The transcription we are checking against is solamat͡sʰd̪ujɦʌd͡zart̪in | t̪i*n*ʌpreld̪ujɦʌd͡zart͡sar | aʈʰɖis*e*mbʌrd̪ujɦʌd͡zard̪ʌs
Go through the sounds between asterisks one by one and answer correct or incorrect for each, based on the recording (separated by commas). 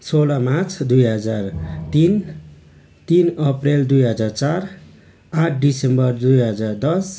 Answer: correct, correct